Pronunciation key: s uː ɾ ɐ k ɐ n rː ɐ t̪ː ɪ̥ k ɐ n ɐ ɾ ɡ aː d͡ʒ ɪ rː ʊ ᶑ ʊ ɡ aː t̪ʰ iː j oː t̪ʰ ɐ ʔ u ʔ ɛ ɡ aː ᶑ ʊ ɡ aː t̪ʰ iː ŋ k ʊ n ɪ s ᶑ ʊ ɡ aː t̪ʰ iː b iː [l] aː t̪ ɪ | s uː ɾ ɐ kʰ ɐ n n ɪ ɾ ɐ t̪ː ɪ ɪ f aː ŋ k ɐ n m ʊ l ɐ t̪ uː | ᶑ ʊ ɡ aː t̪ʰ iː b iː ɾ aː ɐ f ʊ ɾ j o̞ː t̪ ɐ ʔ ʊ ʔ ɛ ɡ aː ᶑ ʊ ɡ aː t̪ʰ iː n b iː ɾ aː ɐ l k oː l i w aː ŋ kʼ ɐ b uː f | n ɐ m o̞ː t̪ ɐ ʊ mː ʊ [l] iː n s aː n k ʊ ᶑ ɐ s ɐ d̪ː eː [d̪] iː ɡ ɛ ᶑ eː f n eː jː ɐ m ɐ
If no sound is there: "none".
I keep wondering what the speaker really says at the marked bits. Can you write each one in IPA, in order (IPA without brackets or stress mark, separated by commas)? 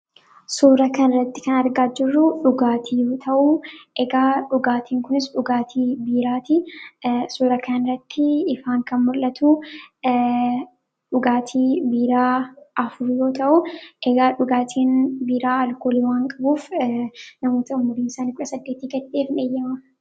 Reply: ɾ, ɾ, t̪